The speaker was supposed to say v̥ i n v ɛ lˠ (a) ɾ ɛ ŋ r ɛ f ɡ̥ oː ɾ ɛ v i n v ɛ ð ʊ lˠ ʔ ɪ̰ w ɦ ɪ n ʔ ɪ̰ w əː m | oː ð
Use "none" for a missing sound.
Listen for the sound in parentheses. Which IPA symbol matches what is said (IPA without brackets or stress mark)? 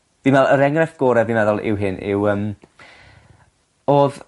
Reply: ə